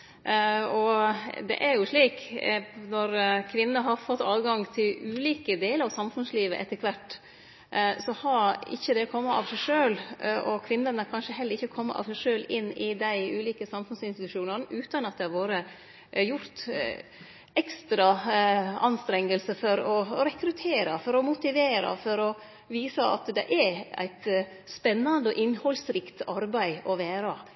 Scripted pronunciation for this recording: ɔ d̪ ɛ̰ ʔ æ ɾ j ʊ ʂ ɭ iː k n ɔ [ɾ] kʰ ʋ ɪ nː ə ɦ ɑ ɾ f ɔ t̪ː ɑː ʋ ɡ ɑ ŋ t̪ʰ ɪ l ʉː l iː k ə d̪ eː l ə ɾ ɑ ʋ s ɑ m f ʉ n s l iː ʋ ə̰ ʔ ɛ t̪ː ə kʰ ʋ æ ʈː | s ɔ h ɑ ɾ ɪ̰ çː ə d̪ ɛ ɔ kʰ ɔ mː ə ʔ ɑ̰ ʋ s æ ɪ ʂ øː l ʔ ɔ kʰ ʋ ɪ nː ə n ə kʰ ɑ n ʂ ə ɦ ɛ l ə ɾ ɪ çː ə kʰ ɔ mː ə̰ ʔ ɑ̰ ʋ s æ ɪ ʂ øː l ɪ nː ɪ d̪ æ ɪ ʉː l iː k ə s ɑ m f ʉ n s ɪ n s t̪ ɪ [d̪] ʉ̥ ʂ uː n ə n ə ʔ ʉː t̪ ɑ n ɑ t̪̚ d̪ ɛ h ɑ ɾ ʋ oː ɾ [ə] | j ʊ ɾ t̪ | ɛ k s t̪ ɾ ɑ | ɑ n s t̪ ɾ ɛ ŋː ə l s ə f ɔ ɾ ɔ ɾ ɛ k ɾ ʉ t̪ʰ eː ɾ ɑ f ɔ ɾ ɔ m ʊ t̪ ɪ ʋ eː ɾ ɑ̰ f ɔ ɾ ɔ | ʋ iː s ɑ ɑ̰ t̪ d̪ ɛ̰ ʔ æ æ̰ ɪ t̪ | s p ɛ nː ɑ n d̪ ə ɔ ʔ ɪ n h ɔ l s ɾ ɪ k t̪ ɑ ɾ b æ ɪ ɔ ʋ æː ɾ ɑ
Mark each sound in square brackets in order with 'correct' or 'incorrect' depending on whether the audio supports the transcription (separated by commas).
correct, incorrect, correct